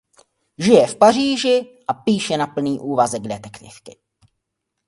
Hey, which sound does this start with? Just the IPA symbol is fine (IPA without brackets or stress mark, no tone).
ʒ